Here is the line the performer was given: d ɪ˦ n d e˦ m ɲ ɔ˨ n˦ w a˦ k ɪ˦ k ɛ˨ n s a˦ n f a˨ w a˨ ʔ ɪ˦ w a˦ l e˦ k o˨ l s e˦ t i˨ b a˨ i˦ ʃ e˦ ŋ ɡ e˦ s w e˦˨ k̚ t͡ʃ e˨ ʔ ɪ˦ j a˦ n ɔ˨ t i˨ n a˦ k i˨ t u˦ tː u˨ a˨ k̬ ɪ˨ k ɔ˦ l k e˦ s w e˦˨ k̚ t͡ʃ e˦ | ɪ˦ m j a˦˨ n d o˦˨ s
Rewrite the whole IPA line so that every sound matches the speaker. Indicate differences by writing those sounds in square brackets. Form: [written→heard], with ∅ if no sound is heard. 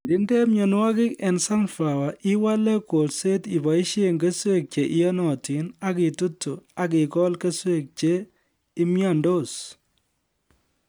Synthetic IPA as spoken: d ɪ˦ n d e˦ m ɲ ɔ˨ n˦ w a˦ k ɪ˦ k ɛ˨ n s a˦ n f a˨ w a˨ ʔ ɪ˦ w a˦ l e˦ k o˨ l s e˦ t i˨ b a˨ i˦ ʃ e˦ ŋ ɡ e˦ s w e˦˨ k̚ t͡ʃ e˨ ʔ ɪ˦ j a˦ n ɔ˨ t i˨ n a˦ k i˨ t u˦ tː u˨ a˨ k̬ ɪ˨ k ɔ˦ l k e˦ s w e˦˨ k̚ t͡ʃ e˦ | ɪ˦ m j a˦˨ n d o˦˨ s